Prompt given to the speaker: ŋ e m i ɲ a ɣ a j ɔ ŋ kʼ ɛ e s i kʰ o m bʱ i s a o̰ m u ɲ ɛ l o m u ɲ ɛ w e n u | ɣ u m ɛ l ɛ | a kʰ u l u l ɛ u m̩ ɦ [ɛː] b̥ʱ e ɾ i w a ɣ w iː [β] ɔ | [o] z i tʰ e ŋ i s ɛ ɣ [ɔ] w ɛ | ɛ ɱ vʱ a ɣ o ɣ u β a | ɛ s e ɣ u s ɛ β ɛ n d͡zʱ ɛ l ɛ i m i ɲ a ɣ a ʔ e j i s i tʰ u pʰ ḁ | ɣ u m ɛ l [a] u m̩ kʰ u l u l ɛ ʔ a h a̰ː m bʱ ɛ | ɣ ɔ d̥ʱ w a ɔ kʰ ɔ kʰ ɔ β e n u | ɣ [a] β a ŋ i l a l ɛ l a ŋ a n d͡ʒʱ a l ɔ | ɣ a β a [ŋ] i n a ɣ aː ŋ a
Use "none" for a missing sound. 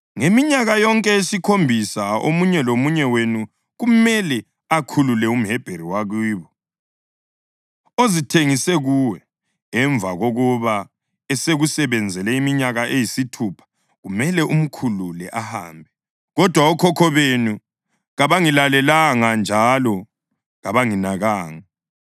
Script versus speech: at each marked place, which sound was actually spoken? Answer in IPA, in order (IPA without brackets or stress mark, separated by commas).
ɛ, β, o, u, ɛ, a, ŋ